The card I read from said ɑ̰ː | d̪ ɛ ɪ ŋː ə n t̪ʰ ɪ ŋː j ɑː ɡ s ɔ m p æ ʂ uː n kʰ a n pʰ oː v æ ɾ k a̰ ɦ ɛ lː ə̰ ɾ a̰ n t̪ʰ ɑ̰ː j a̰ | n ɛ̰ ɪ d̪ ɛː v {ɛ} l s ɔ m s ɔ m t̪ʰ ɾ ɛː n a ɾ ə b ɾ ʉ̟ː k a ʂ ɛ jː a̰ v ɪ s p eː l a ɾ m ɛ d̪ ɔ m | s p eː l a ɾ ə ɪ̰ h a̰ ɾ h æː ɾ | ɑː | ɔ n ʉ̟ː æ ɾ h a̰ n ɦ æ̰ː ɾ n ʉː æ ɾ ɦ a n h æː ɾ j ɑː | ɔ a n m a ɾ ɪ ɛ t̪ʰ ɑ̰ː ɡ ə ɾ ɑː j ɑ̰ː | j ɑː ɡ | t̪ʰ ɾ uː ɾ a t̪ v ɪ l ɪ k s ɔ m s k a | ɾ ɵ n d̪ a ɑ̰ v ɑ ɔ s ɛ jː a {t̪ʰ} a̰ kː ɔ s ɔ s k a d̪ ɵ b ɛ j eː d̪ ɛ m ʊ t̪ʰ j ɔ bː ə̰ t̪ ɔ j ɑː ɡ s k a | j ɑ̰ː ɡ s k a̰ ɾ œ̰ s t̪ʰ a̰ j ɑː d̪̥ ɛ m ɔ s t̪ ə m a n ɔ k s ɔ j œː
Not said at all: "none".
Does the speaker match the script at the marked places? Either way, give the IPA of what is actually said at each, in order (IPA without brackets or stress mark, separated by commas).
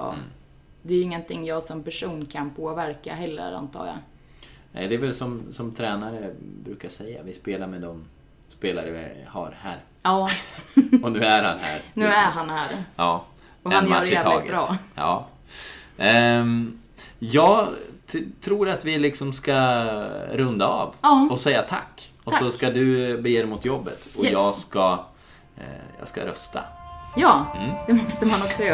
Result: ɛ, t̪ʰ